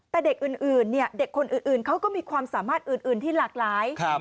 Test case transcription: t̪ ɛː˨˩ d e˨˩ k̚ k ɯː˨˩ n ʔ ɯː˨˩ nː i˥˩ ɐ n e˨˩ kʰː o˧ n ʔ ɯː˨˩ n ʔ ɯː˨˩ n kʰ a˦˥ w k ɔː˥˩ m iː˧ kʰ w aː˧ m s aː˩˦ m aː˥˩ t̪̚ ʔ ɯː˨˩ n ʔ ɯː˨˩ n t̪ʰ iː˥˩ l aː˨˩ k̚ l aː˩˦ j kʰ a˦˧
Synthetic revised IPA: t̪ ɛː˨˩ d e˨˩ k̚ ʔ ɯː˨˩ n ʔ ɯː˨˩ nː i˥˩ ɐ d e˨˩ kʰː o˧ n ʔ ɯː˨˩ n ʔ ɯː˨˩ n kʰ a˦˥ w k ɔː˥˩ m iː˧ kʰ w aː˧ m s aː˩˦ m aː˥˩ t̪̚ ʔ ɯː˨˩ n ʔ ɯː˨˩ n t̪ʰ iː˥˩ l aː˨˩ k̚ l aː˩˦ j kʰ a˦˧